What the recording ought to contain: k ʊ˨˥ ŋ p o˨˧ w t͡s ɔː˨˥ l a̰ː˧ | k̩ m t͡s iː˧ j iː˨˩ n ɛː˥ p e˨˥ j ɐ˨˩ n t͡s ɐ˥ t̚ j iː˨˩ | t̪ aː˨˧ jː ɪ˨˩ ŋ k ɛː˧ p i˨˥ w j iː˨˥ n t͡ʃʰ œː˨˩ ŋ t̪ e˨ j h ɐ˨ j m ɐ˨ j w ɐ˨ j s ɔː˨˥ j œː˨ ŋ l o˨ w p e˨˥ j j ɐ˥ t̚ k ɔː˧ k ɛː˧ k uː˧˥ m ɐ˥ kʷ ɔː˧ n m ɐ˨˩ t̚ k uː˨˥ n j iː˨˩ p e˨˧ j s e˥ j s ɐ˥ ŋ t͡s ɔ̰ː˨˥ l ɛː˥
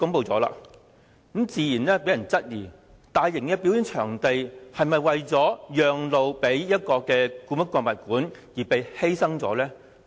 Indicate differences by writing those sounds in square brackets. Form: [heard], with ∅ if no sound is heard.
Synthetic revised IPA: k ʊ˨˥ ŋ p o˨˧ w t͡s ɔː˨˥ l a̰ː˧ | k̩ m t͡s iː˧ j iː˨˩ n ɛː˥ p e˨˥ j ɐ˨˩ n t͡s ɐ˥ t̚ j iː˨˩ | t̪ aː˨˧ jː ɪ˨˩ ŋ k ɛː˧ p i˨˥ w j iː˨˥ n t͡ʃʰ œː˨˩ ŋ t̪ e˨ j h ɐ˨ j m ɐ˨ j w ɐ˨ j [t͡s] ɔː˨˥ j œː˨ ŋ l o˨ w p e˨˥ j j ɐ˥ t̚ k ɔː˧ k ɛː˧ k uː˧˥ m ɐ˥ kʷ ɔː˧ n m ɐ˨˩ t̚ k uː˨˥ n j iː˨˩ p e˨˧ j [h] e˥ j s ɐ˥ ŋ t͡s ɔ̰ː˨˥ l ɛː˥